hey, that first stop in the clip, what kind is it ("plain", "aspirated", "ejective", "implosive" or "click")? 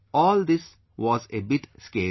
plain